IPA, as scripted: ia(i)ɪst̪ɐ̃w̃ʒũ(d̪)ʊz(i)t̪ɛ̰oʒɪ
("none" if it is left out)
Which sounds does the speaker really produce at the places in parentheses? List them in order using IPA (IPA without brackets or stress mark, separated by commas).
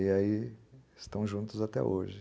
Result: i, t̪, a